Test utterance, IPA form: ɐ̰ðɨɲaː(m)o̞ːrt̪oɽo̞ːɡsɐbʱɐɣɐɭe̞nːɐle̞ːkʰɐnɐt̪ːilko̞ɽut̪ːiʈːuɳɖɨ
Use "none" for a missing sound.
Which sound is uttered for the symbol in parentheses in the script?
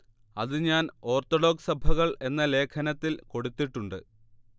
n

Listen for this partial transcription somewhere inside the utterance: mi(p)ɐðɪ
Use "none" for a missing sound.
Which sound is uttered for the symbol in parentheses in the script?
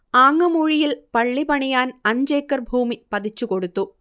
p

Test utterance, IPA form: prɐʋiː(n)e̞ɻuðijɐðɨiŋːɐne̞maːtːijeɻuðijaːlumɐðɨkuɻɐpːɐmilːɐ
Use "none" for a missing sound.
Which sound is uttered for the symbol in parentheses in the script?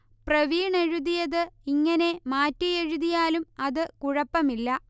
ɳ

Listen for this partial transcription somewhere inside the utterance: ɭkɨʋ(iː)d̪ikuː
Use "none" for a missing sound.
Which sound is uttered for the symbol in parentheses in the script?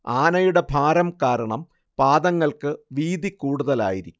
iː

